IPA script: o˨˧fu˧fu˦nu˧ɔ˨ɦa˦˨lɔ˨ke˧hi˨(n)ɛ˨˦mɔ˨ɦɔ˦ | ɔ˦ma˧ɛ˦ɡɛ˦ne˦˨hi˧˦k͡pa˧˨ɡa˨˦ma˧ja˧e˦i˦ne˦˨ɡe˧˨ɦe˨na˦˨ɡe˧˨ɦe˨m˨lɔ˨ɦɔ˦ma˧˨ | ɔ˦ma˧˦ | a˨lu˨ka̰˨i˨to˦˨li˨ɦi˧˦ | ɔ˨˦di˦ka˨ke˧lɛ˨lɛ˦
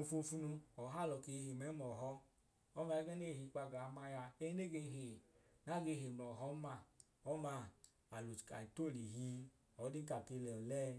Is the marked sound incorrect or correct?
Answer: incorrect